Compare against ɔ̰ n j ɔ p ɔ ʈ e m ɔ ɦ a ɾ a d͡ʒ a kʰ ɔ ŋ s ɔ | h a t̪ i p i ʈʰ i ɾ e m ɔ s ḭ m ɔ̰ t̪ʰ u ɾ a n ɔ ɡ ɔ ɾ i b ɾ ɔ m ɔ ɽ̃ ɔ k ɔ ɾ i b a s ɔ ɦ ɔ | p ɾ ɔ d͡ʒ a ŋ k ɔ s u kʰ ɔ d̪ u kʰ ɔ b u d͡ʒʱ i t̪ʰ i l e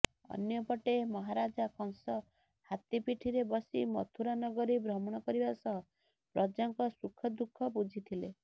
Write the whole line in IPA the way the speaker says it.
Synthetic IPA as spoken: ɔ̰ n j ɔ p ɔ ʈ e m ɔ ɦ a ɾ a d͡ʒ a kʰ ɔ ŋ s ɔ | h a t̪ i p i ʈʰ i ɾ e b ɔ s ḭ m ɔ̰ t̪ʰ u ɾ a n ɔ ɡ ɔ ɾ i b ɾ ɔ m ɔ ɽ̃ ɔ k ɔ ɾ i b a s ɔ ɦ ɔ | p ɾ ɔ d͡ʒ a ŋ k ɔ s u kʰ ɔ d̪ u kʰ ɔ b u d͡ʒʱ i t̪ʰ i l e